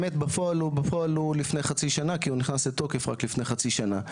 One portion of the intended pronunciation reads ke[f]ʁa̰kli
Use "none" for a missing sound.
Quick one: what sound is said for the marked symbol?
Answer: f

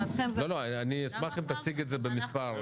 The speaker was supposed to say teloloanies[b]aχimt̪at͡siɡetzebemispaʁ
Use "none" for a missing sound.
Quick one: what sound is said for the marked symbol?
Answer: m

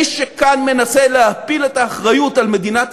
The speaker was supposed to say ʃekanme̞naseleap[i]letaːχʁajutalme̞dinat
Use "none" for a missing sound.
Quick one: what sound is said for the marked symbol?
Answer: i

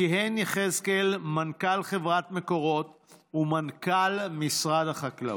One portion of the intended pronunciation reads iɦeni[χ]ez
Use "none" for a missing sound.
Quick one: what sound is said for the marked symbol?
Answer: χ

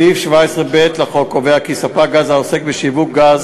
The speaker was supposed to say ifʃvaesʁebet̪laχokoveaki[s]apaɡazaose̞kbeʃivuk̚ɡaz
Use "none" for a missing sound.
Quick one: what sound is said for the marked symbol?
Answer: s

